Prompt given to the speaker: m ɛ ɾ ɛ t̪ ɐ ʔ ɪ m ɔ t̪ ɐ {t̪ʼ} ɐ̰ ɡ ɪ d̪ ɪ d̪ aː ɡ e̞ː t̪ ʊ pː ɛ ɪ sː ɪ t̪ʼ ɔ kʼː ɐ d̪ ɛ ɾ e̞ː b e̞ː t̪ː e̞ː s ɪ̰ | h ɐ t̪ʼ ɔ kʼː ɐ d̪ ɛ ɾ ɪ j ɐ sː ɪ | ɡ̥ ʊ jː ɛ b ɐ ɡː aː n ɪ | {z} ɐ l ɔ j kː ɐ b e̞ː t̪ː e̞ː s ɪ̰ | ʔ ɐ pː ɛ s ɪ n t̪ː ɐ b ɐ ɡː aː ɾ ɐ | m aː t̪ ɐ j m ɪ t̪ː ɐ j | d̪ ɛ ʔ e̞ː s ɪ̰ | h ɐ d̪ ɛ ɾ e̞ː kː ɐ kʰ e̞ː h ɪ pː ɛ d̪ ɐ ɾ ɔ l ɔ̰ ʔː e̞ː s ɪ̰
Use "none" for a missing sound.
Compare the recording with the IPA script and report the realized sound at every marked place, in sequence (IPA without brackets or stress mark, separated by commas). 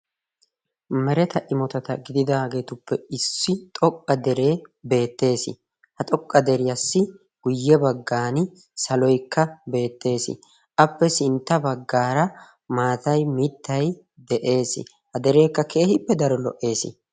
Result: t̪, s